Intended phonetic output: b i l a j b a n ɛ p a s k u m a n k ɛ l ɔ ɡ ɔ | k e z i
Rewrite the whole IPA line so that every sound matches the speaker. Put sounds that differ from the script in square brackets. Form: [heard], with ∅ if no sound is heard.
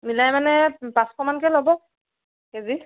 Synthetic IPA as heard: [m] i l a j [m] a n ɛ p a s k [ɔ] m a n k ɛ l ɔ [b] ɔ | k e z i